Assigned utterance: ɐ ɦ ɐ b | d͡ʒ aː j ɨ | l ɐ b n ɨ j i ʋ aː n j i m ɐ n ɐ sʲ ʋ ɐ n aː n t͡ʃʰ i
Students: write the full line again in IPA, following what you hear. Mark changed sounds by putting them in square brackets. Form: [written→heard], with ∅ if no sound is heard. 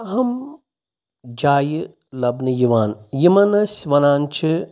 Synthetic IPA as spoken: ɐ ɦ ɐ [b→m] | d͡ʒ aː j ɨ | l ɐ b n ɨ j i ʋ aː n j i m ɐ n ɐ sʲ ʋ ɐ n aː n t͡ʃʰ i